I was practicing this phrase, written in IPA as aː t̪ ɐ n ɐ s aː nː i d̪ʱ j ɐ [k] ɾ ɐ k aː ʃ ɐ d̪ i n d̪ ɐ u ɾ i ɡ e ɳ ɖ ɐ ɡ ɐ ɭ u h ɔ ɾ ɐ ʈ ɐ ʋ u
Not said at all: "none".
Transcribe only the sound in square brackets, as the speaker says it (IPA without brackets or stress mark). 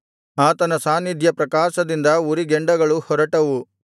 p